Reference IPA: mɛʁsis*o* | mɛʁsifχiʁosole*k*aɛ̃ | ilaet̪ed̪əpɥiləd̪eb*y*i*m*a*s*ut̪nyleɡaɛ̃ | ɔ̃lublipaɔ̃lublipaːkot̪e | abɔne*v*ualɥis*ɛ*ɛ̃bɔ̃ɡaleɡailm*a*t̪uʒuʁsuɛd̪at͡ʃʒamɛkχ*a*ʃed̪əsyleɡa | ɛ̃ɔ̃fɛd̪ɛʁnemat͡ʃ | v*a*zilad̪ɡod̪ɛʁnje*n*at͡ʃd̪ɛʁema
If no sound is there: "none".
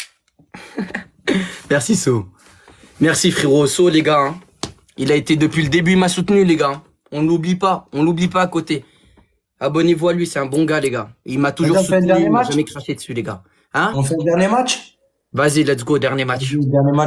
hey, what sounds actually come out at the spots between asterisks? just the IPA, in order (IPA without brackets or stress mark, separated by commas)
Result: o, ɡ, y, m, s, v, ɛ, a, a, a, m